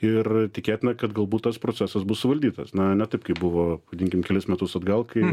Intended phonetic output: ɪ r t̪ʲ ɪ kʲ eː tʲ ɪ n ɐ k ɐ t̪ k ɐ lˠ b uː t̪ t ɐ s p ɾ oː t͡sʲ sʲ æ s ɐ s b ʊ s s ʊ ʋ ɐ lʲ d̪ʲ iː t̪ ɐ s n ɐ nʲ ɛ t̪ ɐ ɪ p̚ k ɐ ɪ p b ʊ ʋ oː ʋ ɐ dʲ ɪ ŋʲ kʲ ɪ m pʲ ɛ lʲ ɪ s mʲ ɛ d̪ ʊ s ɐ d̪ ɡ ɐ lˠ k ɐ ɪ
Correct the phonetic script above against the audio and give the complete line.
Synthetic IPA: ɪ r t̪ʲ ɪ kʲ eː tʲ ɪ n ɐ k ɐ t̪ ɡ ɐ lˠ b uː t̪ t ɐ s p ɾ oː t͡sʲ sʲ æ s ɐ s b ʊ s s ʊ ʋ ɐ lʲ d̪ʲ iː t̪ ɐ s n ɐ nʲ ɛ t̪ ɐ ɪ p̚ k ɐ ɪ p b ʊ ʋ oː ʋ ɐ dʲ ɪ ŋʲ kʲ ɪ m kʲ ɛ lʲ ɪ s mʲ ɛ t̪ ʊ s ɐ d̪ ɡ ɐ lˠ k ɐ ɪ